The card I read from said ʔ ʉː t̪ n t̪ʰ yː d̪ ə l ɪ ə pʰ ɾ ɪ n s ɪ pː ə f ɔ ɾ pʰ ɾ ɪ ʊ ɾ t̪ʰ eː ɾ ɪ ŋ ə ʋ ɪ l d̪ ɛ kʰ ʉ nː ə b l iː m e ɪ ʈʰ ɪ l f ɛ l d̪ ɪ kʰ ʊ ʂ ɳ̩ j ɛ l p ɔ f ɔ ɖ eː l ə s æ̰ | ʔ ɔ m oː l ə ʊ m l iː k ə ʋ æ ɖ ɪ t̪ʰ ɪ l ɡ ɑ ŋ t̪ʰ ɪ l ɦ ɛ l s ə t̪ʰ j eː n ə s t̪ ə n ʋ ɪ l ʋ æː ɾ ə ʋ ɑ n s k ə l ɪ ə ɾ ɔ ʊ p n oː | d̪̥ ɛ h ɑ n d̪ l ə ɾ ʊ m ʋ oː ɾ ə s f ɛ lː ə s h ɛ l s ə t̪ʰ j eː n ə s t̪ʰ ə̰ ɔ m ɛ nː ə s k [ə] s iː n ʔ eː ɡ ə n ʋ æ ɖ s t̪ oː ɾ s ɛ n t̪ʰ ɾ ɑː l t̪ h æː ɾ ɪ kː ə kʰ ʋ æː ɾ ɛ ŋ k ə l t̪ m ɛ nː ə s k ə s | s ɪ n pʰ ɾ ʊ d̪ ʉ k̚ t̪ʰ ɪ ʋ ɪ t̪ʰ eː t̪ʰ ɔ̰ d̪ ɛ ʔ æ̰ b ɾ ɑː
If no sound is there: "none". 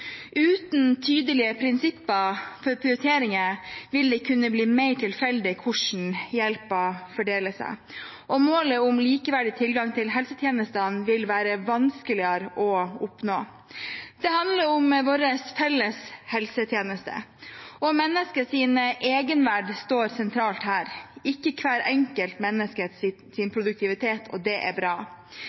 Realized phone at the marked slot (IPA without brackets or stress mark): ə